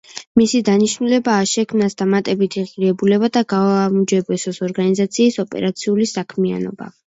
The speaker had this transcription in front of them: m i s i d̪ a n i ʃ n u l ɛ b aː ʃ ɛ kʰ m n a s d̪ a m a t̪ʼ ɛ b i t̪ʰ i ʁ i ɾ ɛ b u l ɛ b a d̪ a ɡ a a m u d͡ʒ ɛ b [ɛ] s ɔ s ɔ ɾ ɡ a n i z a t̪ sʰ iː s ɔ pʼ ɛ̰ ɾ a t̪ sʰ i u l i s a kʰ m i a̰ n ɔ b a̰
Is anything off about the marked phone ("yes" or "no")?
no